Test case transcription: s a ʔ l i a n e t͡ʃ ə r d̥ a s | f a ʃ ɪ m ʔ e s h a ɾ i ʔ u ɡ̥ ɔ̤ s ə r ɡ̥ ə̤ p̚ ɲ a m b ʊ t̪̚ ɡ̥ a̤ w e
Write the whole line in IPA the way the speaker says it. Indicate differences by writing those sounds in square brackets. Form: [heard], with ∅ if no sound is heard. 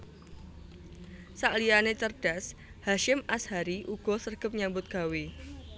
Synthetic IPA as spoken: s a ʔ l i a n e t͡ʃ ə r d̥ a s | [h] a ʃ ɪ m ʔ [a] s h a ɾ i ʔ u ɡ̥ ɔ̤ s ə r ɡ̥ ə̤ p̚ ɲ a m b ʊ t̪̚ ɡ̥ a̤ w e